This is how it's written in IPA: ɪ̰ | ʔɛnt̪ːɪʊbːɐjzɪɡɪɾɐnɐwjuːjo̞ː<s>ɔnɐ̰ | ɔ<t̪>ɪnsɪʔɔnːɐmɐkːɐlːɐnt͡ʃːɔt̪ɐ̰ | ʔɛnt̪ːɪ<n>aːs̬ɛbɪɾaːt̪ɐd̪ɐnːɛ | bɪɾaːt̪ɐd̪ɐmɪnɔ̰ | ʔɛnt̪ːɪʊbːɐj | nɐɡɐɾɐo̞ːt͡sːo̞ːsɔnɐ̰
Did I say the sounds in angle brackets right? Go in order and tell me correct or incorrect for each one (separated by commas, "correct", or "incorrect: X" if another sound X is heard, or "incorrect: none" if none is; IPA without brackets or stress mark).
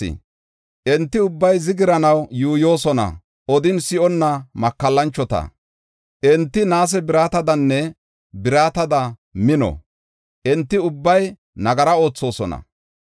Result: correct, incorrect: d̪, correct